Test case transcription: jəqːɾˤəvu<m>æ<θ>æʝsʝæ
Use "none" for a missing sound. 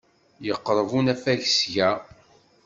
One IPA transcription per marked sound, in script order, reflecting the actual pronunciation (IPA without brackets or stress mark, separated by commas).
n, f